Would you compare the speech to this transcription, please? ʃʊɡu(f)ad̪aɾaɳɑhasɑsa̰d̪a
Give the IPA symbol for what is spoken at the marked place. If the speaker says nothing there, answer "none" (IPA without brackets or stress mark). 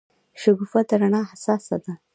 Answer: f